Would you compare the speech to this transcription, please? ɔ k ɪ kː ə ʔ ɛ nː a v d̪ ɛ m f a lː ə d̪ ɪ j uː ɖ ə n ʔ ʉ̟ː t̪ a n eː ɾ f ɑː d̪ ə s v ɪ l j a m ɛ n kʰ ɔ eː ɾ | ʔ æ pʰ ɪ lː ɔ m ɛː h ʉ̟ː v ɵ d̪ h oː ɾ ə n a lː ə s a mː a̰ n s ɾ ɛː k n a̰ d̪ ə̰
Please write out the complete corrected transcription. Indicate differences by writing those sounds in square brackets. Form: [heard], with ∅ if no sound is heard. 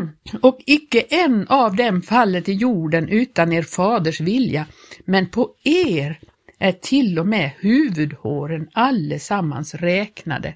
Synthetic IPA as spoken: ɔ k ɪ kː ə ʔ ɛ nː a v d̪ ɛ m f a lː ə [t̪] ɪ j uː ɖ ə n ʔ ʉ̟ː t̪ a n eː ɾ f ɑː d̪ ə [ʂ] v ɪ l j a m ɛ n [pʰ] ɔ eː ɾ | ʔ æ [ʈʰ] ɪ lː ɔ m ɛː h ʉ̟ː v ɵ d̪ h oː ɾ ə n a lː ə s a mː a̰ n s ɾ ɛː k n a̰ d̪ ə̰